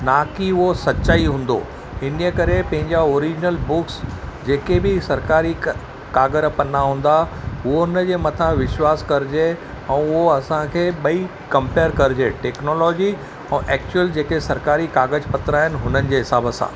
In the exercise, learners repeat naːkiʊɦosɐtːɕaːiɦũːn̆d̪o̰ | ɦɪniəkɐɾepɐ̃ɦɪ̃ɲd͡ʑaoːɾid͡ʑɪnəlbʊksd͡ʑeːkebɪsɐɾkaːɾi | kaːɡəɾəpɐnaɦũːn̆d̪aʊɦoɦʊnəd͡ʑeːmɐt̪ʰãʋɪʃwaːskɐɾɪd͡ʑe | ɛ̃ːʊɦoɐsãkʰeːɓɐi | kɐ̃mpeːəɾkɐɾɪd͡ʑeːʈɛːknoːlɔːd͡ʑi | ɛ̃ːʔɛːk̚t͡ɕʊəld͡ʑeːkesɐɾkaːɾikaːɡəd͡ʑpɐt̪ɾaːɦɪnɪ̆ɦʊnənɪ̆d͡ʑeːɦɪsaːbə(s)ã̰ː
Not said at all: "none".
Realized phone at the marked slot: s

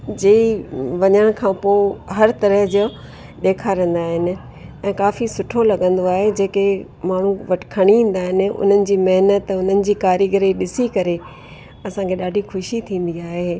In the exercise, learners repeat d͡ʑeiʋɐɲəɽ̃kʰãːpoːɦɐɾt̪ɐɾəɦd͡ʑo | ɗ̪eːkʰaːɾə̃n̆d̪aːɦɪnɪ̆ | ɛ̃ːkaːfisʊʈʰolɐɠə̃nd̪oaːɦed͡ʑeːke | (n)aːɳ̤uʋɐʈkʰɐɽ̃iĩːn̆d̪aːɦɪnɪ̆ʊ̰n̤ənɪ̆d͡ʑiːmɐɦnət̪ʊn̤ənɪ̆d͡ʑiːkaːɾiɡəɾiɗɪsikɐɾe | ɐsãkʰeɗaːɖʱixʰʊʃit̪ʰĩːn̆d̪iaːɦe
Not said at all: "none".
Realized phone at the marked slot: m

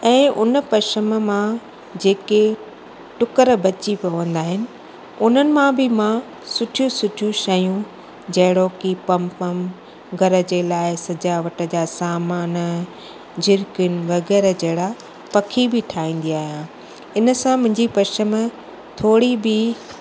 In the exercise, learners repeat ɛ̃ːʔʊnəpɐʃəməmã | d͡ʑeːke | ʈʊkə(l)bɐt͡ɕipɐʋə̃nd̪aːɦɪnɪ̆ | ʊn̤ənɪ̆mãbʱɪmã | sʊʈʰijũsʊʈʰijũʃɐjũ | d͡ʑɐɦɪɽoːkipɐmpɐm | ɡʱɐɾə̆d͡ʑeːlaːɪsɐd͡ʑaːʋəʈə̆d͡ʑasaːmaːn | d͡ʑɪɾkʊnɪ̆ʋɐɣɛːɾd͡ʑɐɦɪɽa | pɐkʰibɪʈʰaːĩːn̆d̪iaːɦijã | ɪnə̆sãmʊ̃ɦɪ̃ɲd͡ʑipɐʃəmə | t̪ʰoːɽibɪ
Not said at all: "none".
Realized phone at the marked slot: ɾ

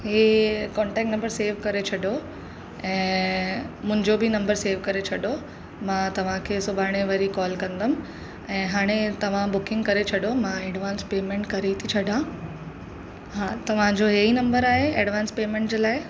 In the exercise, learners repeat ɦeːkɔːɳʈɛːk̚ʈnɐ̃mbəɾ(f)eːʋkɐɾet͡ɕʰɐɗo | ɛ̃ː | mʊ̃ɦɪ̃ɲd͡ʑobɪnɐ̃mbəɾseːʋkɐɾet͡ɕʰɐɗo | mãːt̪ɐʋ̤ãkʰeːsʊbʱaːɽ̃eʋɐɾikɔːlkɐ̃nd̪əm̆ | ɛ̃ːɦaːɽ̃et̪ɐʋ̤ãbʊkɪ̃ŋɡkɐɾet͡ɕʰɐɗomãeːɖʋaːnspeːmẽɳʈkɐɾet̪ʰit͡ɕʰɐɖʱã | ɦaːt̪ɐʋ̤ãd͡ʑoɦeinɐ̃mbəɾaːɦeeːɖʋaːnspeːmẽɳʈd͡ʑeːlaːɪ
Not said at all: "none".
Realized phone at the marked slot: s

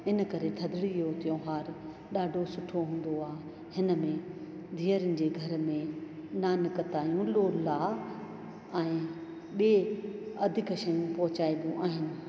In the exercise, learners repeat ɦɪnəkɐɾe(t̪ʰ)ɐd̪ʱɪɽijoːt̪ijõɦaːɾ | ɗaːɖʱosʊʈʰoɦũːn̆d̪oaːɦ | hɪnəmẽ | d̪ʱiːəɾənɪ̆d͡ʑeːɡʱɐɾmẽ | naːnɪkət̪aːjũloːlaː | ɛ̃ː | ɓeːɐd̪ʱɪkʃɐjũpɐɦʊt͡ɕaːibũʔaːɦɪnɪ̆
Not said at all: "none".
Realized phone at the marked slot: t̪ʰ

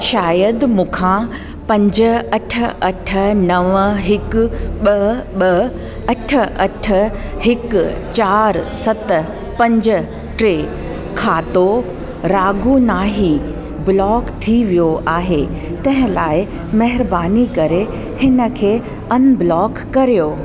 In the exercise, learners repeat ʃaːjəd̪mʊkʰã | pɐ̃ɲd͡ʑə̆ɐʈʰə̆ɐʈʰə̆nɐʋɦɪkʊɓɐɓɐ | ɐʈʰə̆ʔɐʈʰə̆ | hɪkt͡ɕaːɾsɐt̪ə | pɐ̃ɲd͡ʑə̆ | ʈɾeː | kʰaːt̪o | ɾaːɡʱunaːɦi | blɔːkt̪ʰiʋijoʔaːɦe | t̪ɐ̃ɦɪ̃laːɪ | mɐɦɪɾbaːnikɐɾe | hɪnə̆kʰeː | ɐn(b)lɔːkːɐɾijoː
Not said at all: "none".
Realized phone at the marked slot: b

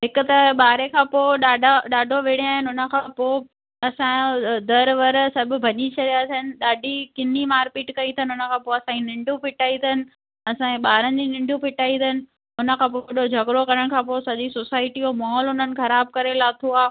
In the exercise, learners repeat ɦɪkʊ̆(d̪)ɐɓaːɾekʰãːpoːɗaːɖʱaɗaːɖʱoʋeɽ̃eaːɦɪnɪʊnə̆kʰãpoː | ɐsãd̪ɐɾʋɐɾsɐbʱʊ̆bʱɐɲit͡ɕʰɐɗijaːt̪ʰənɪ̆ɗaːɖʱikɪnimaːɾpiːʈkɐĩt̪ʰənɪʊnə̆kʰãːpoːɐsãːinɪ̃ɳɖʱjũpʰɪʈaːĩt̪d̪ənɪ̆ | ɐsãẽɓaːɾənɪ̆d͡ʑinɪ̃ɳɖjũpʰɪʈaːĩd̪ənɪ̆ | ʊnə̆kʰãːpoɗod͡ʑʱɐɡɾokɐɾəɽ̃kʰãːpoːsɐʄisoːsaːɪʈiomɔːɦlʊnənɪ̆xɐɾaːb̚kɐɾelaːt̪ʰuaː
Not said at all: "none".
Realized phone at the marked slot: t̪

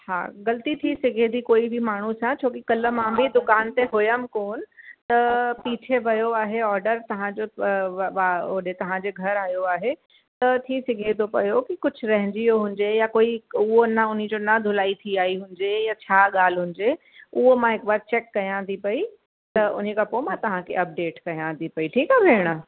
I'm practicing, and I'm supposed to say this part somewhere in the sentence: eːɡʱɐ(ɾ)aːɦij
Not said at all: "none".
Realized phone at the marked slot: ɾ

